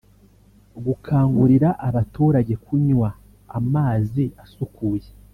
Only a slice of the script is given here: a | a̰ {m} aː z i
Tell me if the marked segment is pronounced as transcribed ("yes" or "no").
yes